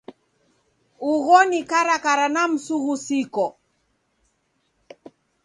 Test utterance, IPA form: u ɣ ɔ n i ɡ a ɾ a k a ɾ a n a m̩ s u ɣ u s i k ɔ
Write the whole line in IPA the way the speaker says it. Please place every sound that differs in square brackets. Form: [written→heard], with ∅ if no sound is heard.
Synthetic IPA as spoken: u ɣ ɔ n i [ɡ→k] a ɾ a k a ɾ a n a m̩ s u ɣ u s i k ɔ